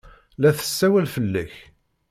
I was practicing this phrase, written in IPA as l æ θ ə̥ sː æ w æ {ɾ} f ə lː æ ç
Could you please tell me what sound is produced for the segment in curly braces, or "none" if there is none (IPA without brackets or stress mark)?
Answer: l